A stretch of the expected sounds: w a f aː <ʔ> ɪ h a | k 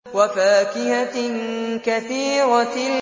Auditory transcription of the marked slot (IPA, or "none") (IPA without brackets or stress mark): k